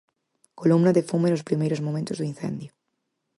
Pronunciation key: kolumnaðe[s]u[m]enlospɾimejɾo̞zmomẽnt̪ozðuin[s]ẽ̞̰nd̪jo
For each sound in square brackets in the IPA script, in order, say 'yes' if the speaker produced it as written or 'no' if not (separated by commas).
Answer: no, yes, no